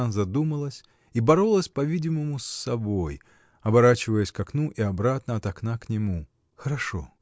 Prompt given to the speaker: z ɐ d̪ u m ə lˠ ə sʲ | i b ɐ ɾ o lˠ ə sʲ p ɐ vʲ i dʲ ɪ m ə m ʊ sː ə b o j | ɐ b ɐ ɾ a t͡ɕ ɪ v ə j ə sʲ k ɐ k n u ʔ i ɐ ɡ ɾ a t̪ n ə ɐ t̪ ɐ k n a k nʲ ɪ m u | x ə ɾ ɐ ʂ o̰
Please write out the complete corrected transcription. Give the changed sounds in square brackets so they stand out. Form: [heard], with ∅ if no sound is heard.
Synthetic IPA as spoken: z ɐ d̪ u m ə lˠ ə sʲ | i b ɐ ɾ o lˠ ə sʲ p ɐ vʲ i dʲ ɪ m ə m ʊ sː [ɐ] b o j | ɐ b ɐ ɾ a t͡ɕ ɪ v ə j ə sʲ k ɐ k n u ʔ i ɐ [b] ɾ a t̪ n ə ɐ t̪ ɐ k n a k nʲ ɪ m u | x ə ɾ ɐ ʂ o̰

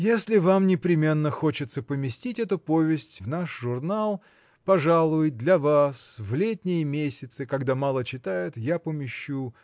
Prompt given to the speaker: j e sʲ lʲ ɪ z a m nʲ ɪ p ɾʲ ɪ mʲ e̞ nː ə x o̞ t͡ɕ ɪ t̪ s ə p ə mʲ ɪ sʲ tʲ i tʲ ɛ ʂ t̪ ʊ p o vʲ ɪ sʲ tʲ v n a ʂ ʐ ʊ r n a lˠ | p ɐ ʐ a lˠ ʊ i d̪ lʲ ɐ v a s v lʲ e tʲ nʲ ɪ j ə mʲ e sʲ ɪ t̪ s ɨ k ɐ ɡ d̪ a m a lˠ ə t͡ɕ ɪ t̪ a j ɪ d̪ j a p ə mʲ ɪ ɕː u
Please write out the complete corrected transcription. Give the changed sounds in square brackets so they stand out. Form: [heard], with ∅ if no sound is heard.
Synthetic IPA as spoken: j e sʲ lʲ ɪ [v] a m nʲ ɪ p ɾʲ ɪ mʲ e̞ nː ə x o̞ t͡ɕ ɪ t̪ s ə p ə mʲ ɪ sʲ tʲ i tʲ ɛ [∅] t̪ ʊ p o vʲ ɪ sʲ tʲ v n a ʂ ʐ ʊ r n a lˠ | p ɐ ʐ a lˠ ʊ [j] d̪ lʲ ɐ v a s v lʲ e tʲ nʲ ɪ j ə mʲ e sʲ ɪ t̪ s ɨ k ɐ ɡ d̪ a m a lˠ ə t͡ɕ ɪ t̪ a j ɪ [t̪] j a p ə mʲ ɪ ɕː u

